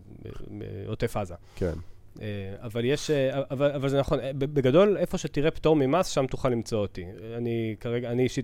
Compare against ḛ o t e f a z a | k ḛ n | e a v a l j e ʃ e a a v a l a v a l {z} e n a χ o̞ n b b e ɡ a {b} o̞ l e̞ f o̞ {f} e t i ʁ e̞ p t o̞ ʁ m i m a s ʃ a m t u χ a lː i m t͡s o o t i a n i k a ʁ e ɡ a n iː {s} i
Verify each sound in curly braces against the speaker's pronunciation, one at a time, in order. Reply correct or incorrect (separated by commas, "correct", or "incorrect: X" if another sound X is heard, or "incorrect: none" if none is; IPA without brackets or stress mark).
correct, incorrect: d, incorrect: ʃ, incorrect: ʃ